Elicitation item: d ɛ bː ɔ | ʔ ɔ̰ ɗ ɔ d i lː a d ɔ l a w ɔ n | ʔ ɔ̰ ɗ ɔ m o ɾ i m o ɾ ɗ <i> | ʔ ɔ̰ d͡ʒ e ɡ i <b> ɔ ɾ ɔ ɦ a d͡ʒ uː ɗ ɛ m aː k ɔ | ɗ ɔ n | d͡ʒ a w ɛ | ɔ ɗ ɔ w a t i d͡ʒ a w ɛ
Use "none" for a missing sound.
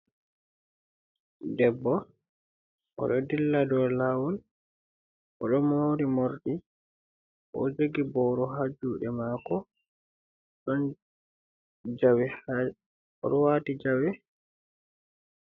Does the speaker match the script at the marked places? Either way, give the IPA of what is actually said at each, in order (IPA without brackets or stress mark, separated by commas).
i, b